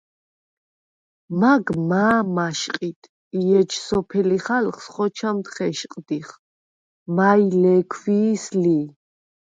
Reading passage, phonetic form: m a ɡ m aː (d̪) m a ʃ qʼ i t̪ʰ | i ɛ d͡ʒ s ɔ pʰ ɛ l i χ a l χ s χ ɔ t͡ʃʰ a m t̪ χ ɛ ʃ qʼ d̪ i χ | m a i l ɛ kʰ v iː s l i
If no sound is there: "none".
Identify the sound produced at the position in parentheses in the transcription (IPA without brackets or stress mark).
none